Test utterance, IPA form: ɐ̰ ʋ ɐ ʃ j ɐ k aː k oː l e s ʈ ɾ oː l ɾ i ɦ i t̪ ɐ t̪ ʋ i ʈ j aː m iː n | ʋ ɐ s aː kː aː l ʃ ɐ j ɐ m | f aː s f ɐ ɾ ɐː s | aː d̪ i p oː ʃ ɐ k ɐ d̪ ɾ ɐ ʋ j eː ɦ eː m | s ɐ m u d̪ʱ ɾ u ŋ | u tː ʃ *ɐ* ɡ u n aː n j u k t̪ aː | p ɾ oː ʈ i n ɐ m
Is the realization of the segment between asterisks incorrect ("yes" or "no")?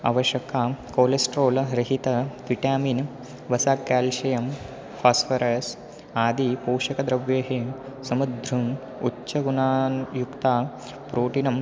no